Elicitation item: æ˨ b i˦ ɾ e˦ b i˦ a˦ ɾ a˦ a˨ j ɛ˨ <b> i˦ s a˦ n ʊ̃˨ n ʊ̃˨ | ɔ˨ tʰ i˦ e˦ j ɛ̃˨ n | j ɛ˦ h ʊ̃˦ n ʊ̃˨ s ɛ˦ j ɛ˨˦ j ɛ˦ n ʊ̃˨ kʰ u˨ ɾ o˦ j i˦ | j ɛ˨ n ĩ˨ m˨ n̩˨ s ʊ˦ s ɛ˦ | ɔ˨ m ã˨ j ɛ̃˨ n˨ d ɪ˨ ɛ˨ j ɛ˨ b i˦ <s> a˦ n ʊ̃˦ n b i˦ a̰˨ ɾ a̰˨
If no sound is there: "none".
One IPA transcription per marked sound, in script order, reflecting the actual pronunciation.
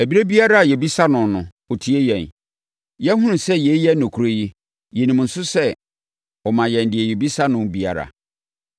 b, s

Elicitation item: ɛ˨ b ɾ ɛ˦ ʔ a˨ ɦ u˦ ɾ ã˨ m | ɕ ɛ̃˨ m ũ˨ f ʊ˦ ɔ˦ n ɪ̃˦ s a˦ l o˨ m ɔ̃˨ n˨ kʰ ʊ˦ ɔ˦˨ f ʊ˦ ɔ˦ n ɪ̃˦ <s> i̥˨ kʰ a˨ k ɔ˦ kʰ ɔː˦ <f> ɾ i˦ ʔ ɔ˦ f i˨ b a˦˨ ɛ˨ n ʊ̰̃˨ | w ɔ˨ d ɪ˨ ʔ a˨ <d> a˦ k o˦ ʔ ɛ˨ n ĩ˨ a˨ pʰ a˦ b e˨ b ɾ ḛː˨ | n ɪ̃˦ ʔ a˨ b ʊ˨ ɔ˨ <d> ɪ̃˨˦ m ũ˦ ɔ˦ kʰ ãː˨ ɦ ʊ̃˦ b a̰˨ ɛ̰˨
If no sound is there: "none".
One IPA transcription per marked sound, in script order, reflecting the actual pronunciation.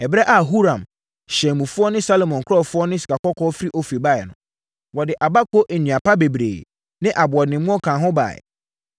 s, f, b, n

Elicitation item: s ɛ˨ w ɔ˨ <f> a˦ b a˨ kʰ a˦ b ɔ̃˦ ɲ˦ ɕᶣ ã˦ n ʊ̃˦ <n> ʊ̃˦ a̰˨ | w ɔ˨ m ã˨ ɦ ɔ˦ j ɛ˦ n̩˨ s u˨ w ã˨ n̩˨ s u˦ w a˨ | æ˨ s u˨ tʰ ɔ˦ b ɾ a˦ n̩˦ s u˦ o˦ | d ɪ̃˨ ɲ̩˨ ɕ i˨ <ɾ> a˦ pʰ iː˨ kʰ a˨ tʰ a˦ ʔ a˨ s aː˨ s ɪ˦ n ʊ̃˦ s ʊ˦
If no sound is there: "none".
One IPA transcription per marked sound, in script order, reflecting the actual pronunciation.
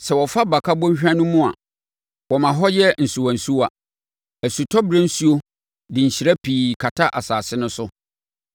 f, m, ɾ

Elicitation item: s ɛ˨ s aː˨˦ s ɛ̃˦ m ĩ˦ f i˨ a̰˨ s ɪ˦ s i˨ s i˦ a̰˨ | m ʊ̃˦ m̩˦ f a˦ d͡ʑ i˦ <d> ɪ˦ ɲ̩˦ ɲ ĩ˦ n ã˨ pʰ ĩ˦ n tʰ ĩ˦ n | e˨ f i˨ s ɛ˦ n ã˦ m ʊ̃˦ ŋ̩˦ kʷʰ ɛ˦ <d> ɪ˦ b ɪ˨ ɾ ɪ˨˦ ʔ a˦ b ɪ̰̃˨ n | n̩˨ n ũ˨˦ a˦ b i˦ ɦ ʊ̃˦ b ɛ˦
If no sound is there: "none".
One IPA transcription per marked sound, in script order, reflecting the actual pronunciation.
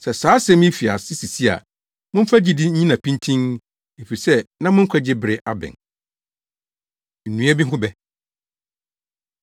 d, d͡ʑ

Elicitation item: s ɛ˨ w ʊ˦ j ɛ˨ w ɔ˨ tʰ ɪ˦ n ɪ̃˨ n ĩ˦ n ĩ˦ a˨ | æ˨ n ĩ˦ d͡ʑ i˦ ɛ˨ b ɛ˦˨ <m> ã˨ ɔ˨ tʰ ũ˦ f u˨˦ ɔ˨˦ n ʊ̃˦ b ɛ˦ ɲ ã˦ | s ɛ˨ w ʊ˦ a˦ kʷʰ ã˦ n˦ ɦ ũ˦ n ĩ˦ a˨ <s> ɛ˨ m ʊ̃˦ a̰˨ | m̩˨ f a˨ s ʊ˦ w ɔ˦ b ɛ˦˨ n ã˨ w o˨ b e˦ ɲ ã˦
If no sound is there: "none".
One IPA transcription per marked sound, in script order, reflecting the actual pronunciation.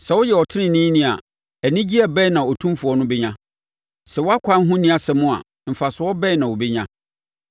n, s

